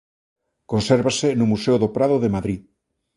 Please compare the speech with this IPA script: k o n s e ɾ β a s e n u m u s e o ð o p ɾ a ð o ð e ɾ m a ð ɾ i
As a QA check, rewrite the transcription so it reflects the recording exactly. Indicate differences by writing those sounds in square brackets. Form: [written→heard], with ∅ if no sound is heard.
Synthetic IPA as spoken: k o n s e ɾ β a s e n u m u s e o ð o p ɾ a ð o ð e [ɾ→∅] m a ð ɾ i